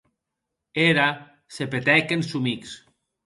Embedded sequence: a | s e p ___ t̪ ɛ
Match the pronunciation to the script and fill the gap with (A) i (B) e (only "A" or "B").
B